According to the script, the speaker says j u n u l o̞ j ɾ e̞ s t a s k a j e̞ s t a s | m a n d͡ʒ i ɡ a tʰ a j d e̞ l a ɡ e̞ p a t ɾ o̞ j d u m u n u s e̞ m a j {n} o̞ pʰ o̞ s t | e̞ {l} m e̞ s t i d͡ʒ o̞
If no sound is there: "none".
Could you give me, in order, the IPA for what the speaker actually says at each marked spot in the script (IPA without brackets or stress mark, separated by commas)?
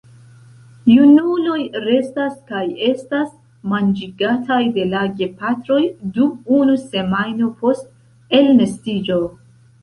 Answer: n, l